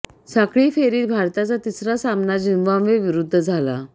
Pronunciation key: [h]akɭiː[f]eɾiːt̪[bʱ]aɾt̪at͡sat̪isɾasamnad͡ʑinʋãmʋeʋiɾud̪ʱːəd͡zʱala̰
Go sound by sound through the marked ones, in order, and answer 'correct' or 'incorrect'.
incorrect, correct, correct

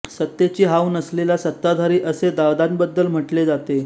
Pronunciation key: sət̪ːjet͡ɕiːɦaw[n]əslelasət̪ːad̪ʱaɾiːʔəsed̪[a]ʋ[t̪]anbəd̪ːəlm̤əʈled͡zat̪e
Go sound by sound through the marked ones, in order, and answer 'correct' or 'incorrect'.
correct, correct, incorrect

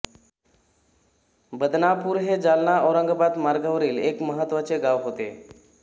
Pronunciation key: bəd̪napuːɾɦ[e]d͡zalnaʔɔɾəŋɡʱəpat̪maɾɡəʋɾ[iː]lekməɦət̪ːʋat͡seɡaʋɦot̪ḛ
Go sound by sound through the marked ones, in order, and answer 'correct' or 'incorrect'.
correct, correct

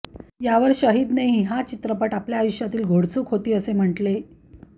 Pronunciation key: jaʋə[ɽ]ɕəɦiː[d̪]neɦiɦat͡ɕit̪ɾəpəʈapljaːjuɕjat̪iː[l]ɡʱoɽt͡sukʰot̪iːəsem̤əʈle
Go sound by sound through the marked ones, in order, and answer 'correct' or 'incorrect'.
incorrect, correct, correct

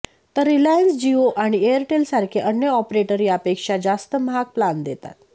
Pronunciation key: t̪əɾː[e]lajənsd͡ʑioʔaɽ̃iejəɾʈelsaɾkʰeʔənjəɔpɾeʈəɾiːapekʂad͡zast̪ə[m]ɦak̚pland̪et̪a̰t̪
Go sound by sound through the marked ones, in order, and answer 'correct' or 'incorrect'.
incorrect, correct

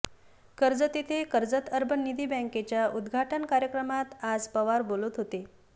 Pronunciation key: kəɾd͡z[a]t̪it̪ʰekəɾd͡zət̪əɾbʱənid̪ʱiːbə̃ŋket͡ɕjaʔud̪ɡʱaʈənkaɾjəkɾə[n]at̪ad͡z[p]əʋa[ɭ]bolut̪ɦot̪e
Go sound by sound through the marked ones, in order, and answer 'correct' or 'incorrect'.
incorrect, incorrect, correct, incorrect

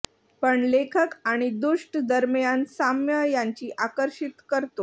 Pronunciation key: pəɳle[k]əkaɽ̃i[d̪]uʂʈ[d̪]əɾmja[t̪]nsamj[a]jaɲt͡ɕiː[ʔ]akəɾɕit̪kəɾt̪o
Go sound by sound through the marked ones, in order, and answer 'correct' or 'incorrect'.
incorrect, correct, correct, incorrect, incorrect, correct

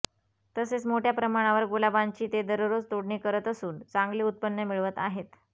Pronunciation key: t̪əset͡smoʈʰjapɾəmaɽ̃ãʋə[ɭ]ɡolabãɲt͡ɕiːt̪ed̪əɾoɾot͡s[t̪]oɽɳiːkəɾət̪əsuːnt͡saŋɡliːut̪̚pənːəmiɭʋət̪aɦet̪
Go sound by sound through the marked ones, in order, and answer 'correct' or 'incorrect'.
incorrect, correct

